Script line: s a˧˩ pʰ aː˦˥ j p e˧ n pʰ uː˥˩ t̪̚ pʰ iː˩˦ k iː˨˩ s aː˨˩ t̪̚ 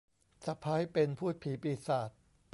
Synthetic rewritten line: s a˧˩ pʰ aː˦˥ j p e˧ n pʰ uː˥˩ t̪̚ pʰ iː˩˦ p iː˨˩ s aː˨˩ t̪̚